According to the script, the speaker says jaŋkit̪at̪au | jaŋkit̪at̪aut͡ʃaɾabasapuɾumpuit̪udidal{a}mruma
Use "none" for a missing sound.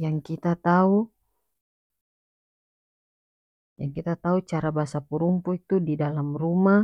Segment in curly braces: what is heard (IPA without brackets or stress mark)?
a